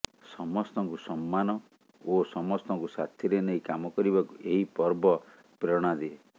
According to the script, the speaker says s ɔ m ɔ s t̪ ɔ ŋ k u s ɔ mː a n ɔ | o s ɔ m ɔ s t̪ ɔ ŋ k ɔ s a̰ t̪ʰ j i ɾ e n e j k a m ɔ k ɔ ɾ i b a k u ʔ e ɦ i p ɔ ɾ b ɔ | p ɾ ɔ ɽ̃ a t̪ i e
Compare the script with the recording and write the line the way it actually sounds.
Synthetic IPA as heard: s ɔ m ɔ s t̪ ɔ ŋ k u s ɔ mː a n ɔ | o s ɔ m ɔ s t̪ ɔ ŋ k u s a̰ t̪ʰ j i ɾ e n e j k a m ɔ k ɔ ɾ i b a k u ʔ e ɦ i p ɔ ɾ b ɔ | p ɾ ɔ ɽ̃ a d̪ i e